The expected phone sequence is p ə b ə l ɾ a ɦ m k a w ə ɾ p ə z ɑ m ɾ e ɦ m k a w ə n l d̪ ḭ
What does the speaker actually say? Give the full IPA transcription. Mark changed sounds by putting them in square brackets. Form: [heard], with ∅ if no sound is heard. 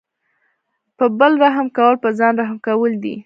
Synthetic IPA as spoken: p ə b ə l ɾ a ɦ m k a w ə [l] p ə z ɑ [n] ɾ [a] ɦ m k a w ə [∅] l d̪ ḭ